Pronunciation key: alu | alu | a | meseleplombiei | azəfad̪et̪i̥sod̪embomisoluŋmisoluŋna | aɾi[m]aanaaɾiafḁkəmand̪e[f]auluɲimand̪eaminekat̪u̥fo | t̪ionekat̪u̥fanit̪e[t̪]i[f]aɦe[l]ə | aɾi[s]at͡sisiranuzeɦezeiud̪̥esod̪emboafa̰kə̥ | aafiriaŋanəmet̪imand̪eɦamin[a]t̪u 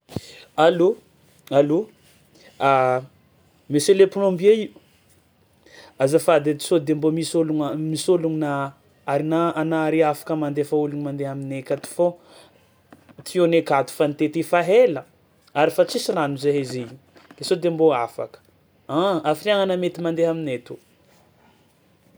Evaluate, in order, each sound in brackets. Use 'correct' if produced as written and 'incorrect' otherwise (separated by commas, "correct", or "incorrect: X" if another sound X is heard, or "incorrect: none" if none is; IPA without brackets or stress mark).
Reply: incorrect: n, correct, correct, correct, correct, incorrect: f, incorrect: e